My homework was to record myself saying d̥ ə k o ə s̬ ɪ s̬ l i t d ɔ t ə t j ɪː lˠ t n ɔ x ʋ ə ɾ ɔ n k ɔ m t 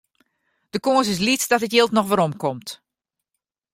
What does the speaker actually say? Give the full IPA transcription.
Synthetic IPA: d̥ ə k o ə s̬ ɪ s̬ l i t d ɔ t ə t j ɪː lˠ t n ɔ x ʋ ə ɾ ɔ m k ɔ m t